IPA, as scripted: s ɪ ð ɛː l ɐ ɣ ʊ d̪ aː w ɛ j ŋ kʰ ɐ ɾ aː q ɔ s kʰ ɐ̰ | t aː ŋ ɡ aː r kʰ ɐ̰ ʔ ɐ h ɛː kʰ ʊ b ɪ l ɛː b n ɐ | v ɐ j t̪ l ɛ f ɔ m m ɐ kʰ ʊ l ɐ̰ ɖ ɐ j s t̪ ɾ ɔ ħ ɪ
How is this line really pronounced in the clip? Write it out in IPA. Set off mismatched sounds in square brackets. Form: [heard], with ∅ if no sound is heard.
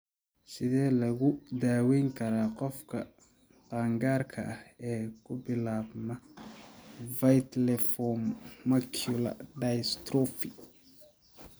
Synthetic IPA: s ɪ ð ɛː l ɐ ɣ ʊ d̪ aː w ɛ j ŋ kʰ ɐ ɾ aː q ɔ [f] kʰ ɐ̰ | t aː ŋ ɡ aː r kʰ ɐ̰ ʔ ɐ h ɛː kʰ ʊ b ɪ l [aː] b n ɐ | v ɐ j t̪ l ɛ f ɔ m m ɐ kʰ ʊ l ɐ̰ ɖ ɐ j s t̪ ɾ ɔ [f] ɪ